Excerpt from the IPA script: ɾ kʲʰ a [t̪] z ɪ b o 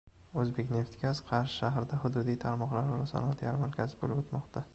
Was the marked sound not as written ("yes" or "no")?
yes